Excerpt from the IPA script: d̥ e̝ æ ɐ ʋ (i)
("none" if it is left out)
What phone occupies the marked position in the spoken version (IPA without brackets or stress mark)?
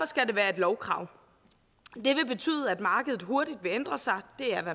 æ